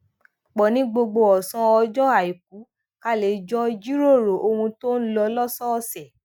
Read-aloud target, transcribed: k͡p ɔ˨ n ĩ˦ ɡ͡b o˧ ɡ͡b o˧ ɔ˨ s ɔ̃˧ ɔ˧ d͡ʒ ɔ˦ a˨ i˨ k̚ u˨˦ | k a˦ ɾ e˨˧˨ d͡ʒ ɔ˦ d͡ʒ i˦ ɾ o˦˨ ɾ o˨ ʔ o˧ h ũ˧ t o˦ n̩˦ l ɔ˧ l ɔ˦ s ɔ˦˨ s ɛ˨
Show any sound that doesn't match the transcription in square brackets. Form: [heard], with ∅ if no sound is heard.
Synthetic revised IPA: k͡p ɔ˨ n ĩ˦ ɡ͡b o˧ ɡ͡b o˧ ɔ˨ s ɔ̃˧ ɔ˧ d͡ʒ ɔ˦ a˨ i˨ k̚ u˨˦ | k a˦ [l] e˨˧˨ d͡ʒ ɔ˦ d͡ʒ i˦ ɾ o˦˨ ɾ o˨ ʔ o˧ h ũ˧ t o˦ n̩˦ l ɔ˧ l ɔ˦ s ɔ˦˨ s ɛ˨